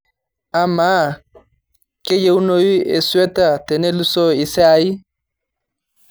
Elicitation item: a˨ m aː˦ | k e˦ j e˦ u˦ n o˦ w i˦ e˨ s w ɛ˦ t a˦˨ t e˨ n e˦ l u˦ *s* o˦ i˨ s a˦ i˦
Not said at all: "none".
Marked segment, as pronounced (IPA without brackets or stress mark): s